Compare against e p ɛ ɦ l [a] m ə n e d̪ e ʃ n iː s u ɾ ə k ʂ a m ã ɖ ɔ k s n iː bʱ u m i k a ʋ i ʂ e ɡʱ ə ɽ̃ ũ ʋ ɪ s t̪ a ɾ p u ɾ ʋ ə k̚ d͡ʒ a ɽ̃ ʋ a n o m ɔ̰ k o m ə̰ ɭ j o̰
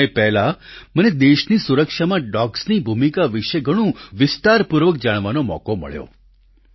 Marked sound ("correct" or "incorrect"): correct